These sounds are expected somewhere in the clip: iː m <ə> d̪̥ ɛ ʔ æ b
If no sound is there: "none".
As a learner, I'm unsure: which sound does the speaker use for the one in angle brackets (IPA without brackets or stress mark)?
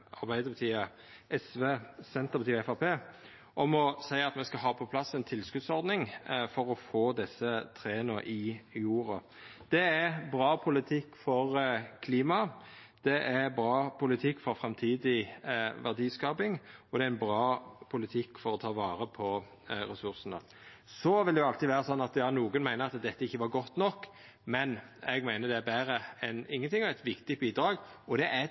ɑ